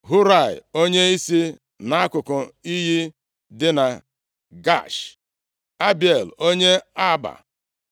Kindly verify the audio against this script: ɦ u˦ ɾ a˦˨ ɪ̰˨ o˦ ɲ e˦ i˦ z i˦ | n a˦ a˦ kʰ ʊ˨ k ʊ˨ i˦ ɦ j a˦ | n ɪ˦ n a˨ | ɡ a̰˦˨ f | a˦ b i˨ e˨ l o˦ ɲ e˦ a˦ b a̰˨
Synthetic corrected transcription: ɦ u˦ ɾ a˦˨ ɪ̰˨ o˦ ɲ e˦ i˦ s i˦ | n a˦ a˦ k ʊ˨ k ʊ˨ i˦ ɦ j i˦ | d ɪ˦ n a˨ | ɡ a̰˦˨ ʃ | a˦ b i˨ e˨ l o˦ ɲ e˦ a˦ b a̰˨